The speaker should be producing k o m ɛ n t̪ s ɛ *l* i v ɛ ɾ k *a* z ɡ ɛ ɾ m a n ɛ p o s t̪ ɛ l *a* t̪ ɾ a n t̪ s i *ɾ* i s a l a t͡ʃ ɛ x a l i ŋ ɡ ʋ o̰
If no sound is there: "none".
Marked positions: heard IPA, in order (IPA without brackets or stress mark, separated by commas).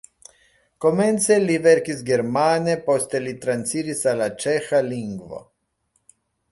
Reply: l, i, i, ɾ